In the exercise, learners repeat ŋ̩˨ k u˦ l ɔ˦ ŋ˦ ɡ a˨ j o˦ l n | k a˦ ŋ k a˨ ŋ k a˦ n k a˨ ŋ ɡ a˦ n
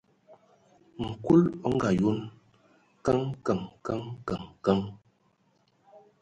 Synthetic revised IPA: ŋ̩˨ k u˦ l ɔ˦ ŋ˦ ɡ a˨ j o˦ n | k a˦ ŋ k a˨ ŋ k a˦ ŋ k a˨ ŋ k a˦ ŋ